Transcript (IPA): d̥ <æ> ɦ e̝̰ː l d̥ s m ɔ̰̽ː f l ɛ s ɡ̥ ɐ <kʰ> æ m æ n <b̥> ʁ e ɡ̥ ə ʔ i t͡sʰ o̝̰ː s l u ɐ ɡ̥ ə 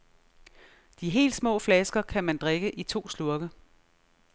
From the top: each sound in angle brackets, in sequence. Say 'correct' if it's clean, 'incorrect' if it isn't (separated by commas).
incorrect, correct, incorrect